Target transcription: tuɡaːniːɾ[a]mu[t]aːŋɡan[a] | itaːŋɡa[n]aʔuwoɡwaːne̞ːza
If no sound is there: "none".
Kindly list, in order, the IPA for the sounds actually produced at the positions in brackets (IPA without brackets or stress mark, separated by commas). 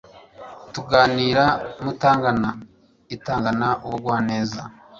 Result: a, t, a, n